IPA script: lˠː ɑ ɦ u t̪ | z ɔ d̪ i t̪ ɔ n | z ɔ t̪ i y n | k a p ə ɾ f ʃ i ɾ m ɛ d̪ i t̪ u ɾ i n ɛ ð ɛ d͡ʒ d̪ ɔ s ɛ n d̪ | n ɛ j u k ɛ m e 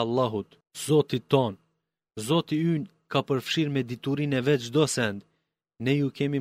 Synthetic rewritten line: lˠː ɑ ɦ u t̪ | z ɔ t̪ i t̪ ɔ n | z ɔ t̪ i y n | k a p ə ɾ f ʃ i ɾ m ɛ d̪ i t̪ u ɾ i n ɛ v ɛ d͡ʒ d̪ ɔ s ɛ n d̪ | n ɛ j u k ɛ m i